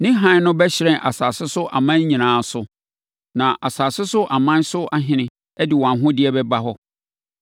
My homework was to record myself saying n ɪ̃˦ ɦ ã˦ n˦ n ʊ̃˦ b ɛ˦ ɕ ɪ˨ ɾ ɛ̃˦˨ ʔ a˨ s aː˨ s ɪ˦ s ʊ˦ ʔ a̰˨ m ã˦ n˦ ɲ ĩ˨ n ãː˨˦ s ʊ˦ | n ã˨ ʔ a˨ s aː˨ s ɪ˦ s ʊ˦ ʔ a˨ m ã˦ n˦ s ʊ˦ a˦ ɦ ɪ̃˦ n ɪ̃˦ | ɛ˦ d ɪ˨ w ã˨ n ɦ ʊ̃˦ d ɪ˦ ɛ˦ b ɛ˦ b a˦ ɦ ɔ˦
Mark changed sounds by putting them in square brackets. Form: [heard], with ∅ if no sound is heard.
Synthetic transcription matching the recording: n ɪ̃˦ ɦ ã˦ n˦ n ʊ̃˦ b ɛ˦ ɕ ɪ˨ ɾ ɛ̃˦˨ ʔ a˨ s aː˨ s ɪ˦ s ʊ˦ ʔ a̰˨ m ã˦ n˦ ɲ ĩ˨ n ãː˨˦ s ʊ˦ | n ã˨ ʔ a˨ s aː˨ s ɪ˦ s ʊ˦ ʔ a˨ m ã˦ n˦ s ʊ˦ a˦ ɦ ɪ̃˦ n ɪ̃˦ | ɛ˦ d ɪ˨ w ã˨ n ɦ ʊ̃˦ d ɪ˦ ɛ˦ b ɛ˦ b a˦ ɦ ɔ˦